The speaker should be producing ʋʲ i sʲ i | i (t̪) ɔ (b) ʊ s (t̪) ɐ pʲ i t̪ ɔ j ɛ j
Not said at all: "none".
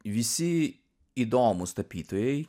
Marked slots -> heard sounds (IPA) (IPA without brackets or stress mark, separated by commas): d̪, m, t̪